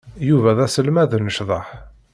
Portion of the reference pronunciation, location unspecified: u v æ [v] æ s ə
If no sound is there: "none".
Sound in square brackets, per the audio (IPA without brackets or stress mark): ð